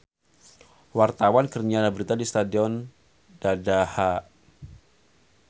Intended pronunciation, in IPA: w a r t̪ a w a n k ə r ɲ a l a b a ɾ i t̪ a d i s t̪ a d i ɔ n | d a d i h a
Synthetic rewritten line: w a r t̪ a w a n k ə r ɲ a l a b ə ɾ i t̪ a d i s t̪ a d i ɔ n | d a d a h a